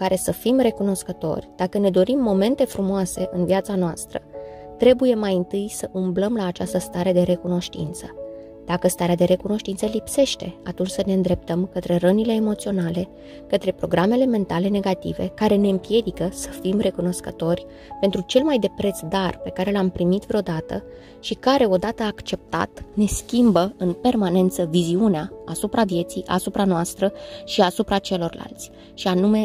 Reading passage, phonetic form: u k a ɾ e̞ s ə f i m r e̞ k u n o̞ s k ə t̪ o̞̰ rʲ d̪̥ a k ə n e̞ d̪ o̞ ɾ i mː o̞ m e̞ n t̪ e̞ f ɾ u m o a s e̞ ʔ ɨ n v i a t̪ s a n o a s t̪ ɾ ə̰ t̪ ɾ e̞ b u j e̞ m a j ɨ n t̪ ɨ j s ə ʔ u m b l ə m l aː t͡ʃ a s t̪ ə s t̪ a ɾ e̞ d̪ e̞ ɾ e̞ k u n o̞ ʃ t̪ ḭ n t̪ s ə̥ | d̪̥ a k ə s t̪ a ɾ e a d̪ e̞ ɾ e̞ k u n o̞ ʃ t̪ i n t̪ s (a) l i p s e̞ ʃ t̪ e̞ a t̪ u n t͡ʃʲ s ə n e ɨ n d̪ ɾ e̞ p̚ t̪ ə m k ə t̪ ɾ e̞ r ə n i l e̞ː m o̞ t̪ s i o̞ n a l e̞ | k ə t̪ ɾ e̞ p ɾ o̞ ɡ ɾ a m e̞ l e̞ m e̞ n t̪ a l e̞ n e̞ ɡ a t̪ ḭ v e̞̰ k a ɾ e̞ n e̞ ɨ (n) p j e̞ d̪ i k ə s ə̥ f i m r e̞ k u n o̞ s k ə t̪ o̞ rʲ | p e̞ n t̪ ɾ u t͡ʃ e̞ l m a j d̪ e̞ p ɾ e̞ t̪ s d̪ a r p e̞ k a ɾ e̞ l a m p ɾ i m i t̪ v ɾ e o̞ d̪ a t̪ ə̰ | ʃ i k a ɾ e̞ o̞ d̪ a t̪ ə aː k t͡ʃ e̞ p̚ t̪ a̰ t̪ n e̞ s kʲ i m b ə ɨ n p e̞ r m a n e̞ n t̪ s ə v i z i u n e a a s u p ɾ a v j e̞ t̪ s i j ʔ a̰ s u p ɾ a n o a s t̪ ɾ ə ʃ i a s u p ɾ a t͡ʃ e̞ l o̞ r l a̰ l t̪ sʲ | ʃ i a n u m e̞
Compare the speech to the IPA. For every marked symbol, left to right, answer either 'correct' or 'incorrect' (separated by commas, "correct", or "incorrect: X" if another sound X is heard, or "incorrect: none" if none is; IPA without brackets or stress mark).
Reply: incorrect: ə, incorrect: m